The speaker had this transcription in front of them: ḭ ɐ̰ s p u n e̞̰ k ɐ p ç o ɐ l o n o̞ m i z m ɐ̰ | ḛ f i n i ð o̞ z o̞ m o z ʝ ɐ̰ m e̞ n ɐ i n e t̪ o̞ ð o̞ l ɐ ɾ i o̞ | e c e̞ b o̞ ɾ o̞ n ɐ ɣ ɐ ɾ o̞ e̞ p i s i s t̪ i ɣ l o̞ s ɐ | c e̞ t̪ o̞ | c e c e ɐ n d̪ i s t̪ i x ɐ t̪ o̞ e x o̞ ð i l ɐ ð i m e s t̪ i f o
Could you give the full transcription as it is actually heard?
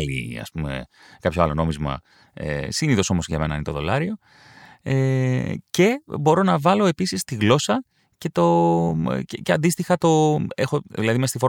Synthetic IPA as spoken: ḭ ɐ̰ s p u m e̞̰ k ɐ p ç o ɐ l o n o̞ m i z m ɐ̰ | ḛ s i n i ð o̞ s o̞ m o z ʝ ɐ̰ m e̞ n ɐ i n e t̪ o̞ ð o̞ l ɐ ɾ i o̞ | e c e̞ b o̞ ɾ o̞ n ɐ v ɐ l o̞ e̞ p i s i s t̪ i ɣ l o̞ s ɐ | c e̞ t̪ o̞ | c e c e ɐ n d̪ i s t̪ i x ɐ t̪ o̞ e x o̞ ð i l ɐ ð i m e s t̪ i f o